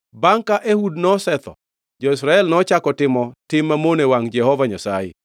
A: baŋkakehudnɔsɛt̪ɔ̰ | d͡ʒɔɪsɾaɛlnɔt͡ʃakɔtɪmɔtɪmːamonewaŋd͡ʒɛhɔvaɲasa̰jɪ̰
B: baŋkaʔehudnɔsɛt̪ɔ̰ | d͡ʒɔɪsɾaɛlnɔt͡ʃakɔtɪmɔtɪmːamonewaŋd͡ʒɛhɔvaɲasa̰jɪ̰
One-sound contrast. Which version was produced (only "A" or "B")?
B